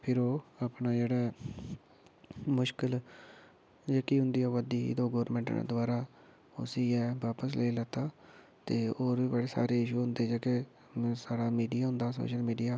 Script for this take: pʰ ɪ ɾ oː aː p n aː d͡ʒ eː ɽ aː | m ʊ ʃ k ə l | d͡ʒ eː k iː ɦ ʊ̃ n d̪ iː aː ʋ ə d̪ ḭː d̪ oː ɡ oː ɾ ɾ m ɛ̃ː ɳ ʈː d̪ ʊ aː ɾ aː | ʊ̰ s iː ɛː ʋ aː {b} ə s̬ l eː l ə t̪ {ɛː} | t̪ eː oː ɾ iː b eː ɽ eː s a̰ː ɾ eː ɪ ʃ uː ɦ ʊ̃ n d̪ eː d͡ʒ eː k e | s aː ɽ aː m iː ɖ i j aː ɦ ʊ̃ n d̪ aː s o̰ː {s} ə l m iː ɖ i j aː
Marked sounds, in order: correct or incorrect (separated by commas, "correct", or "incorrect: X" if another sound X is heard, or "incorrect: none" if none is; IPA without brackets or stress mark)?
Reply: incorrect: p, incorrect: aː, incorrect: ʃ